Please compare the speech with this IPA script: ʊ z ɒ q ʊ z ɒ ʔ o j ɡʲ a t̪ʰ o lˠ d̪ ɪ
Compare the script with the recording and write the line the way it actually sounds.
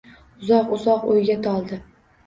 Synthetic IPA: ʊ z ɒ q ʊ z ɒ q o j ɡʲ a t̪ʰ ɒ lˠ d̪ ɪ